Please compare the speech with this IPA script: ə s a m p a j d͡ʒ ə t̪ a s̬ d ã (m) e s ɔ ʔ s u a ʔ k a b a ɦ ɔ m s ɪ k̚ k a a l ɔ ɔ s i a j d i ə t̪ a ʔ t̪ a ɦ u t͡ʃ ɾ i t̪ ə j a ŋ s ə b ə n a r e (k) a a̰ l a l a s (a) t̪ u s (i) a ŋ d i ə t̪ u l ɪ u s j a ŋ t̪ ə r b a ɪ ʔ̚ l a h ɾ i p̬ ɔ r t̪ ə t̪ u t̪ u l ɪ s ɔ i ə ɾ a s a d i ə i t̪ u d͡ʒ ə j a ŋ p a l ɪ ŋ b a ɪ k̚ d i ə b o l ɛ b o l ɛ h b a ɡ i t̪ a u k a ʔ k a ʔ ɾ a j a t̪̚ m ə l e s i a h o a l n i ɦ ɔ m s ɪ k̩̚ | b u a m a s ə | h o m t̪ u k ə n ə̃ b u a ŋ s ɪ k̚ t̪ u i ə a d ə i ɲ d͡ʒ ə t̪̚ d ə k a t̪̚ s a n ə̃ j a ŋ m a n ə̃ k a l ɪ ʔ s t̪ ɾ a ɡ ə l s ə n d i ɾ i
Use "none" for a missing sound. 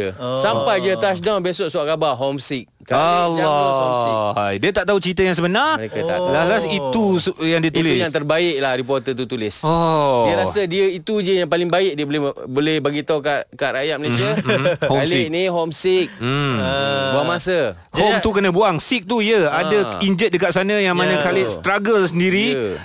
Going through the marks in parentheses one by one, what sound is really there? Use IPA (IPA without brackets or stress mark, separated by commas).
b, k, i, j